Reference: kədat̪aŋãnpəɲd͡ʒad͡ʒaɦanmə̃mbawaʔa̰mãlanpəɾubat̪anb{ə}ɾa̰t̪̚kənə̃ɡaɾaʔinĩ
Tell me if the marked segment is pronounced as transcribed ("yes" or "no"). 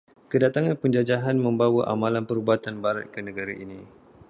no